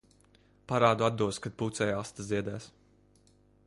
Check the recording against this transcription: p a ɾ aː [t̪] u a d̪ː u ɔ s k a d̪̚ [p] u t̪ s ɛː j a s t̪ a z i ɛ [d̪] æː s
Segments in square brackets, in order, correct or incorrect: incorrect: d̪, correct, correct

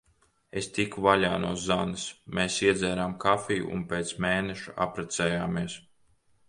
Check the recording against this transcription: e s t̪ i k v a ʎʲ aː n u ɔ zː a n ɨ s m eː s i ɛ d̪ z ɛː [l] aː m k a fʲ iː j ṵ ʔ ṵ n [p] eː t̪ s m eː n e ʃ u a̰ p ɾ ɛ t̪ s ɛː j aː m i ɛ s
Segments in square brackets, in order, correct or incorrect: incorrect: ɾ, correct

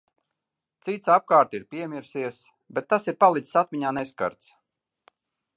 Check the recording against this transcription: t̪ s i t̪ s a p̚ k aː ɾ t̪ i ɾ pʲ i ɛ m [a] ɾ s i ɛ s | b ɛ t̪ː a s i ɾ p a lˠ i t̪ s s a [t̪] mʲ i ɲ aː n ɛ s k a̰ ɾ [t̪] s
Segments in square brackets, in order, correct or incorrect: incorrect: i, correct, correct

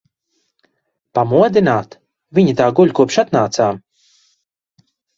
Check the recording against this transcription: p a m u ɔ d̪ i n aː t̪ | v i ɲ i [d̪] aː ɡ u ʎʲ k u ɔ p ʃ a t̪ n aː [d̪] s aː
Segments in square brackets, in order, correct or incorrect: incorrect: t̪, incorrect: t̪

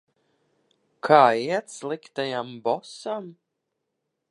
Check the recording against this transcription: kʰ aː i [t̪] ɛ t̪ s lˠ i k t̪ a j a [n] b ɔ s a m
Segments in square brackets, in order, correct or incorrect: incorrect: none, incorrect: m

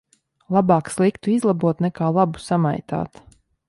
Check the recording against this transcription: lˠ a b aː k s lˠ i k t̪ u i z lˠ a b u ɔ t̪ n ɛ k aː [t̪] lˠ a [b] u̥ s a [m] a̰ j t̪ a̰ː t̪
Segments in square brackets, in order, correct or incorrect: incorrect: none, correct, correct

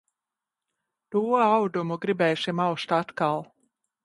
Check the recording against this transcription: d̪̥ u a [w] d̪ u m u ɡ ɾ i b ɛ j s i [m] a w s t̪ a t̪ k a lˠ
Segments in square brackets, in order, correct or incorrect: correct, correct

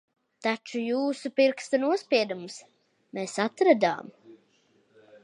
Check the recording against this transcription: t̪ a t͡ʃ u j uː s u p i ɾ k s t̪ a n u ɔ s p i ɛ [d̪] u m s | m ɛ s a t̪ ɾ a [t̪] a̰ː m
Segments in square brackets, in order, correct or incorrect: correct, incorrect: d̪

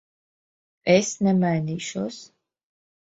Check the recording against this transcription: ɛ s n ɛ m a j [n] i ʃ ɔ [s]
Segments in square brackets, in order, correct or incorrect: correct, correct

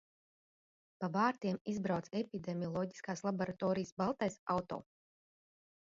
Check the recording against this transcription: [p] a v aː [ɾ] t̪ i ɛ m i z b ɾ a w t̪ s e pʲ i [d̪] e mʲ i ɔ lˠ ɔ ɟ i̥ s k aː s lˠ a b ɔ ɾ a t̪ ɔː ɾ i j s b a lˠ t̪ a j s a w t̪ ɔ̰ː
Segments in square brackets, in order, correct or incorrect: correct, correct, correct

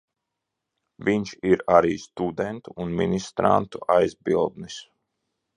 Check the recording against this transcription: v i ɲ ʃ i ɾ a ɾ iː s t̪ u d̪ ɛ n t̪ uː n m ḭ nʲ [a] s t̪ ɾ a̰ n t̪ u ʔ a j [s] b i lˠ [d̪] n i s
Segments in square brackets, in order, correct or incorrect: incorrect: i, incorrect: z, correct

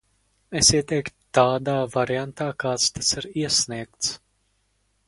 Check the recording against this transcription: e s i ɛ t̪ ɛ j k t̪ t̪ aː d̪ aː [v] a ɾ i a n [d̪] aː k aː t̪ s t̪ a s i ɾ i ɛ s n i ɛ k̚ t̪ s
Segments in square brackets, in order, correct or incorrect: correct, incorrect: t̪

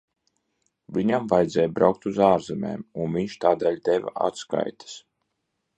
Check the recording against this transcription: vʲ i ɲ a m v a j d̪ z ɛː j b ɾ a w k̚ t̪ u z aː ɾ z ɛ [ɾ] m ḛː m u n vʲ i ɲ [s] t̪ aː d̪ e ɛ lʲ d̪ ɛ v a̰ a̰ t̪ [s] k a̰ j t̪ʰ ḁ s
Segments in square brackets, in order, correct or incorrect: incorrect: none, incorrect: ʃ, correct

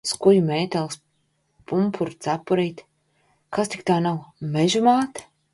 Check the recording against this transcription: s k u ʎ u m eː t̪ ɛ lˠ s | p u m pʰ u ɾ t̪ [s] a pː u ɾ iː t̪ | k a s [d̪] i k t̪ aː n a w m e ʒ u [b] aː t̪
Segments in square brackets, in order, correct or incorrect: correct, incorrect: t̪, incorrect: m

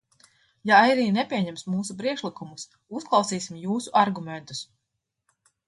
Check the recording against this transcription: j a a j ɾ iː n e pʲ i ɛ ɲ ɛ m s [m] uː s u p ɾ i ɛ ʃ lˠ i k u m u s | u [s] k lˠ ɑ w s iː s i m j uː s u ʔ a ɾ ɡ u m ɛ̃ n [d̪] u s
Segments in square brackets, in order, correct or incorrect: correct, correct, incorrect: t̪

